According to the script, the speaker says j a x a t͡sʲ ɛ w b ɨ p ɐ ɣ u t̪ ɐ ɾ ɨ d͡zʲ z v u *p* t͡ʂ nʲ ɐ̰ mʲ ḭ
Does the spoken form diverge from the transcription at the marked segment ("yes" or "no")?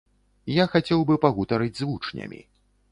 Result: yes